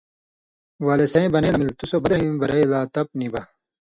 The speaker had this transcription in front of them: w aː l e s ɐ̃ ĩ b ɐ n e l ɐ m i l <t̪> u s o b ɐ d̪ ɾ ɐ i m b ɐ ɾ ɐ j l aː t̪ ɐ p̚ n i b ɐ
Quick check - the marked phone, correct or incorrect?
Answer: correct